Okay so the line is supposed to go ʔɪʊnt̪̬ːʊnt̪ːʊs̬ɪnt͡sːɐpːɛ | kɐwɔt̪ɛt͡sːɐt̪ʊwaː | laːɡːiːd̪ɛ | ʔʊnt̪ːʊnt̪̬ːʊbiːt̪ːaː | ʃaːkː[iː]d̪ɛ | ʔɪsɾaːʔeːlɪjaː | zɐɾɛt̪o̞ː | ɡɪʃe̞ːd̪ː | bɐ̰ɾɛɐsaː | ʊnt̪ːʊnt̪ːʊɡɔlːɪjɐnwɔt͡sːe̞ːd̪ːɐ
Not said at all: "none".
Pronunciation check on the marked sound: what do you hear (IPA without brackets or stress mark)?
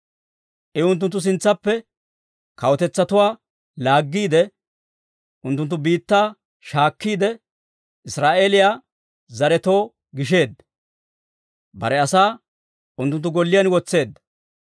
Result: iː